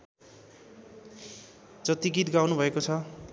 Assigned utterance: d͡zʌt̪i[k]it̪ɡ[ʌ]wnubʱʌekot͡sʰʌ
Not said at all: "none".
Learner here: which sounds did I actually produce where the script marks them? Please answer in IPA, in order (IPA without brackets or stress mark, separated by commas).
ɡ, a